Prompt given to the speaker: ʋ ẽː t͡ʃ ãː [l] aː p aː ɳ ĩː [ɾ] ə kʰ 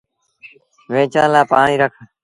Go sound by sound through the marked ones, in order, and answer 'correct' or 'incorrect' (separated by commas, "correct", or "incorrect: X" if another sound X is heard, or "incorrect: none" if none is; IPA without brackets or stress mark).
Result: correct, correct